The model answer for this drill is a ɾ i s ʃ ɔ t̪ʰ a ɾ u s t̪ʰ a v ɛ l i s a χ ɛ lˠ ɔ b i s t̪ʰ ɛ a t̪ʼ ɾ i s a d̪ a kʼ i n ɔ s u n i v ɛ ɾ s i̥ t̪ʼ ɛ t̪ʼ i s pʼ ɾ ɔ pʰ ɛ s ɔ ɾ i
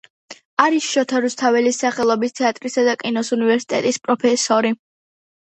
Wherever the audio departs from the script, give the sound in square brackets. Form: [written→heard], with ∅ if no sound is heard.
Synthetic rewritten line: a ɾ i s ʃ ɔ t̪ʰ a ɾ u s t̪ʰ a v ɛ l i s a χ ɛ lˠ ɔ b i s t̪ʰ ɛ a t̪ʼ ɾ i s a d̪ a kʼ i n ɔ s u n i v ɛ ɾ s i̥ t̪ʼ ɛ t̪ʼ i s pʼ ɾ ɔ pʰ ɛ s ɔ ɾ i